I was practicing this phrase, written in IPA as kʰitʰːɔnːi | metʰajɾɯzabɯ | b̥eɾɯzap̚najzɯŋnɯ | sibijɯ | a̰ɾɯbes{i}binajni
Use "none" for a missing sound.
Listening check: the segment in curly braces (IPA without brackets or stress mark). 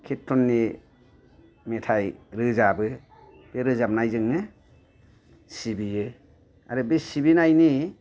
i